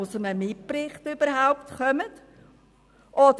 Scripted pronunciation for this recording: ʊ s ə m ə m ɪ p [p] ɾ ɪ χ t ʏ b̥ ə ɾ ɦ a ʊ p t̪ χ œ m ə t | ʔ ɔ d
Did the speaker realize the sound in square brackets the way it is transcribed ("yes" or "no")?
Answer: yes